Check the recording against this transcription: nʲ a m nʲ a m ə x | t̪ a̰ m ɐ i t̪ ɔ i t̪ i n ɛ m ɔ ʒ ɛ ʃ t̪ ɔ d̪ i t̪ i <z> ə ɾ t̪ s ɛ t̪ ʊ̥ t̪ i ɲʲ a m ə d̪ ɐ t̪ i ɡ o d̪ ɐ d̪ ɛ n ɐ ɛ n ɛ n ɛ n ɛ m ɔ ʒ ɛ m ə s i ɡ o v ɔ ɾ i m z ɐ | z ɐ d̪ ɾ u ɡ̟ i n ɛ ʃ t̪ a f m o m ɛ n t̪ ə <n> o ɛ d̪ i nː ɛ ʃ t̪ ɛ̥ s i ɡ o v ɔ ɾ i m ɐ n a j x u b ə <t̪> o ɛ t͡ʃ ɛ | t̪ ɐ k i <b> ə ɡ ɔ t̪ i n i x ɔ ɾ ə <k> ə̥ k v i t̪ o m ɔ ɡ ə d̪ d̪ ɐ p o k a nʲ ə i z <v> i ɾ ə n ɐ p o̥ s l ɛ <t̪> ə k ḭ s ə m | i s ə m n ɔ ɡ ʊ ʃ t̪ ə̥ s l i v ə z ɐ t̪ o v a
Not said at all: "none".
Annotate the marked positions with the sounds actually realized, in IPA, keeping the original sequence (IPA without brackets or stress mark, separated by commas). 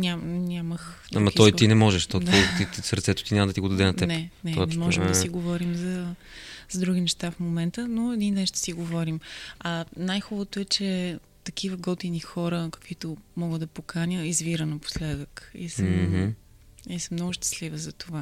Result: s, n, t̪, v, k, v, d̪